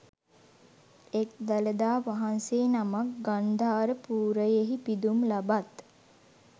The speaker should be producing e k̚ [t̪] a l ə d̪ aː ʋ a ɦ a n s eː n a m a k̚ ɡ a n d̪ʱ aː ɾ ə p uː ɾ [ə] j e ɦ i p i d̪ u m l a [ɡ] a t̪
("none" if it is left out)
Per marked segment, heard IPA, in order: d̪, ə, b

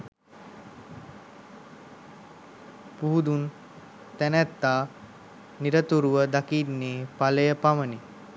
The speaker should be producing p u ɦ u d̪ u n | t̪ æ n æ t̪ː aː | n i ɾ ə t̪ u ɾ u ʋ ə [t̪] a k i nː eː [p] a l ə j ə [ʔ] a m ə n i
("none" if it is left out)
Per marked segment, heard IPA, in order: d̪, p, p

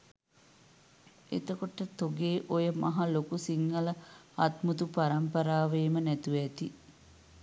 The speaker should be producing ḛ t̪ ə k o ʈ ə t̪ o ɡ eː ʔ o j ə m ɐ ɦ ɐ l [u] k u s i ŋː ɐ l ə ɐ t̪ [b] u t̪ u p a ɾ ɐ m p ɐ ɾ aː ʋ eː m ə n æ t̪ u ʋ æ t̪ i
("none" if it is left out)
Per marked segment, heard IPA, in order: o, m

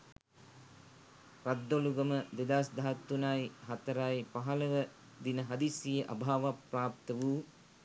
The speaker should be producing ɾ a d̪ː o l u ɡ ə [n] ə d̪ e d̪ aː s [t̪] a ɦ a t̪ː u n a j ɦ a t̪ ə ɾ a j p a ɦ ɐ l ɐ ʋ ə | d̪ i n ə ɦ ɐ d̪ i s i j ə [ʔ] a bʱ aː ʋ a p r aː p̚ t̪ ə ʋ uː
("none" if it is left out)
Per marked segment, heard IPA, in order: m, d̪, ʔ

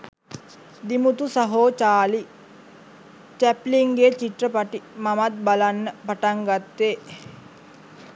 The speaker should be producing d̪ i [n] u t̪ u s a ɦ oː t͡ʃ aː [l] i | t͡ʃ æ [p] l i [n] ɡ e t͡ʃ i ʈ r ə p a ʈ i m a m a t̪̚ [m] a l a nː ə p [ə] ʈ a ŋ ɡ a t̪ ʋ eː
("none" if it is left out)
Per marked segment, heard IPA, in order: m, l, p, ŋ, b, a

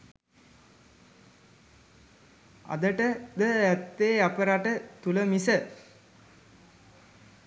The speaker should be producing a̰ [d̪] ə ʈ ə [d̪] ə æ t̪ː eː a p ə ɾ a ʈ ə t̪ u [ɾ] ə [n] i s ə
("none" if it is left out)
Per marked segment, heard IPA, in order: d̪, d̪, l, m

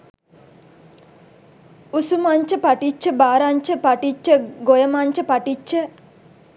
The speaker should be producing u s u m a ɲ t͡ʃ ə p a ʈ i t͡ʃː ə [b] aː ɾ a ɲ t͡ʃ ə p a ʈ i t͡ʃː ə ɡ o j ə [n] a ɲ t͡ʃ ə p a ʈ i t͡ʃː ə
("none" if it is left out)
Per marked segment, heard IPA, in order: b, m

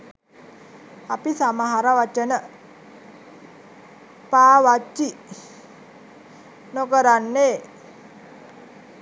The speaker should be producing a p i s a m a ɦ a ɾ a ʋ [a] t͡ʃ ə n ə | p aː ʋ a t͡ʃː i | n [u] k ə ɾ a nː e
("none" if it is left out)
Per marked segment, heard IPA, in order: a, o

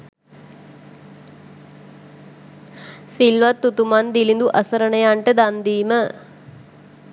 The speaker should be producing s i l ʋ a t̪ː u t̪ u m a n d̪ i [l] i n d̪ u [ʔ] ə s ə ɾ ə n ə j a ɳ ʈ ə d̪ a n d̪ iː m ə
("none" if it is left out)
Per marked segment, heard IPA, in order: l, ʔ

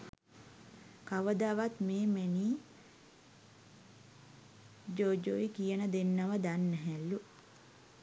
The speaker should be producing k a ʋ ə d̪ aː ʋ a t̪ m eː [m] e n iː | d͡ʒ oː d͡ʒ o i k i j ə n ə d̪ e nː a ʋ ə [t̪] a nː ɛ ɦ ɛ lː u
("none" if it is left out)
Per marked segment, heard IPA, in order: m, d̪

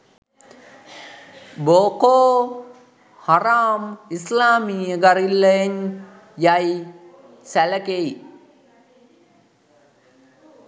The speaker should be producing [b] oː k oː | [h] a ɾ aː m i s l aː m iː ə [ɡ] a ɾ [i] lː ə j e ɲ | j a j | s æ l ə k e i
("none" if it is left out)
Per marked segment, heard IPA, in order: b, h, ɡ, i

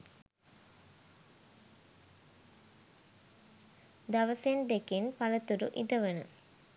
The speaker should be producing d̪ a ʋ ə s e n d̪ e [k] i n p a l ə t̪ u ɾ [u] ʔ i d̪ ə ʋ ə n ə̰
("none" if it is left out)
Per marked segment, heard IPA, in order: k, u

